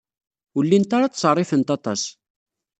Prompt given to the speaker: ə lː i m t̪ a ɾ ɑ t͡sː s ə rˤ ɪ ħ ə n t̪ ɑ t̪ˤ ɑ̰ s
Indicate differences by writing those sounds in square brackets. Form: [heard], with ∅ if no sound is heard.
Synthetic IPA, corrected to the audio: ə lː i [n] t̪ a ɾ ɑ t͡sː s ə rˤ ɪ [f] ə n t̪ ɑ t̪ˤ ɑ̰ s